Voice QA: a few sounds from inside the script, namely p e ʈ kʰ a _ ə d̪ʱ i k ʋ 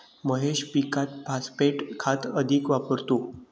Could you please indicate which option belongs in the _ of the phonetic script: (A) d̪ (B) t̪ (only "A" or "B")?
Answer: B